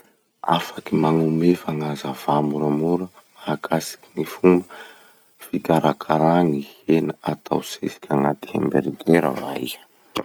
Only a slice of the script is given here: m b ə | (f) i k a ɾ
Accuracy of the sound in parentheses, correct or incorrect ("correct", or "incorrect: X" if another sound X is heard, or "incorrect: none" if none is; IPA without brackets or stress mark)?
correct